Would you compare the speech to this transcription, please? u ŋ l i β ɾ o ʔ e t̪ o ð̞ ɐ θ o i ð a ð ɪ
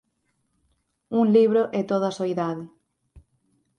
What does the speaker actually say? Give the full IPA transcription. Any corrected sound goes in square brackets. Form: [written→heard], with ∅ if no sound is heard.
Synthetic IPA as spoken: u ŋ l i β ɾ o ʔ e t̪ o ð̞ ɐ [θ→s] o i ð a ð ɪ